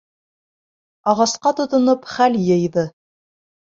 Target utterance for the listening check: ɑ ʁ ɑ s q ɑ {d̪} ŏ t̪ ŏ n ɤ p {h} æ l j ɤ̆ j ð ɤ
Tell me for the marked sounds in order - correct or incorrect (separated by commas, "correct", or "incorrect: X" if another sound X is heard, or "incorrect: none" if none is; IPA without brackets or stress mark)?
incorrect: t̪, incorrect: χ